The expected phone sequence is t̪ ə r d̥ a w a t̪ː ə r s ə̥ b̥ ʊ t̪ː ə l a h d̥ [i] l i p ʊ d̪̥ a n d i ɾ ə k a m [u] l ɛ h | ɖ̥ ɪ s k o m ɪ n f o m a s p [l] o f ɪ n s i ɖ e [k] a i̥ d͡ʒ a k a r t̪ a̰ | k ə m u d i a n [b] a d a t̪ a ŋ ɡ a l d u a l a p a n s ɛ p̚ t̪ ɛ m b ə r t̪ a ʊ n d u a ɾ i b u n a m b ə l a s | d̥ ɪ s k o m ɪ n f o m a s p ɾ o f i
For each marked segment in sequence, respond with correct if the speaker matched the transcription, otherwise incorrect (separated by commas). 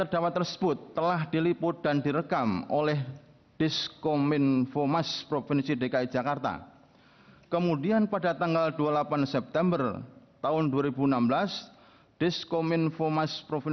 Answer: correct, incorrect, incorrect, correct, incorrect